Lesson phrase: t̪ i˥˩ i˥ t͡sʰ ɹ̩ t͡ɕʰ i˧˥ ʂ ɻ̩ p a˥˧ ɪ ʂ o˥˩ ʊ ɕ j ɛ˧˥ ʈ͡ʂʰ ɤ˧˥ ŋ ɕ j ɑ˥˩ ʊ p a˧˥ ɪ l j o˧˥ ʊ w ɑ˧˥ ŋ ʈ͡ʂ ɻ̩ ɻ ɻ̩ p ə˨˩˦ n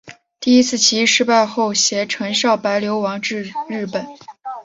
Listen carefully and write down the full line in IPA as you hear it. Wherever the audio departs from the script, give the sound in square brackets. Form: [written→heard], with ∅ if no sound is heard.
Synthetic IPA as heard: t̪ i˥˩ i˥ t͡sʰ ɹ̩ t͡ɕʰ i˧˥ ʂ ɻ̩ p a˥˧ ɪ [ʂ→x] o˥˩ ʊ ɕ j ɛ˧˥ ʈ͡ʂʰ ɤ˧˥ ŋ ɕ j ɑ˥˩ ʊ p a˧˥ ɪ l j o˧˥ ʊ w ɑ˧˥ ŋ ʈ͡ʂ ɻ̩ ɻ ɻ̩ p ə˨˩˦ n